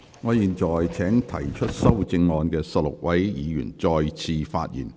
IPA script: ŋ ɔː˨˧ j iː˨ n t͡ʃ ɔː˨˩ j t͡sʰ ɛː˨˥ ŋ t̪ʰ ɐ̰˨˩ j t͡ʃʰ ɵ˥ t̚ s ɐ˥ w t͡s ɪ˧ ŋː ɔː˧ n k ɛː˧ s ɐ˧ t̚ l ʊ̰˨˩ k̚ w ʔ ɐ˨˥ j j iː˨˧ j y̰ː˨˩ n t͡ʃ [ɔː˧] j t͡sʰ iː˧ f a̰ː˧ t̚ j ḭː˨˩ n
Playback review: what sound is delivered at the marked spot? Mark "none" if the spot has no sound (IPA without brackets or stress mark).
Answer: ɔː˧